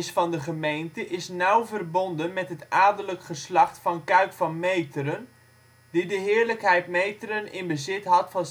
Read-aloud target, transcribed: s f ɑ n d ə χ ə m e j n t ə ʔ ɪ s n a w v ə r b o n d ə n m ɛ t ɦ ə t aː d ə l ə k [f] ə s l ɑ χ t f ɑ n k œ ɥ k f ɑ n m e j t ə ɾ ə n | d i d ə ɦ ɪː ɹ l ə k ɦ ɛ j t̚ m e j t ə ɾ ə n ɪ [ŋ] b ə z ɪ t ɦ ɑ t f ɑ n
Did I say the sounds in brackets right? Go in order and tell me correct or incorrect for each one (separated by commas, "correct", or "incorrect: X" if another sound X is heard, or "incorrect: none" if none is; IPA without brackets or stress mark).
incorrect: χ, incorrect: n